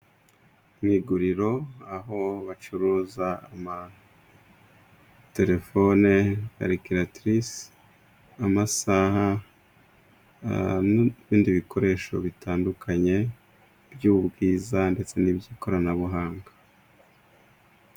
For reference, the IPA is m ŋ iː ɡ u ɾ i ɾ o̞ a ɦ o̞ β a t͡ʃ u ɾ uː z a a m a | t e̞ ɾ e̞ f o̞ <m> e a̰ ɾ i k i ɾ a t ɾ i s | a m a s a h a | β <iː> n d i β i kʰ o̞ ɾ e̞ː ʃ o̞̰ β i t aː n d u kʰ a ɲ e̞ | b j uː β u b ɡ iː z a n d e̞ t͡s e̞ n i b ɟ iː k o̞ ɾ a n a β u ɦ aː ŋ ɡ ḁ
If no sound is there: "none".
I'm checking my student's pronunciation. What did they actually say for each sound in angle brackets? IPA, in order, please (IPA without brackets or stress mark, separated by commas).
n, iː